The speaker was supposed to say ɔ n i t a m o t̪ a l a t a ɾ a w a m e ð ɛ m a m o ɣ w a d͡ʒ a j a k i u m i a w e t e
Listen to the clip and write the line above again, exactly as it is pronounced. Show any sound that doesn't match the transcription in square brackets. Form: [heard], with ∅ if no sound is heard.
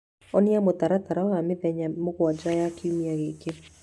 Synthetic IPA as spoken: ɔ n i [∅] a m o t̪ a [ɾ] a t a ɾ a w a m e ð ɛ [ɲ] a m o ɣ w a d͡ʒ a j a k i u m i a [ɣ] e [k] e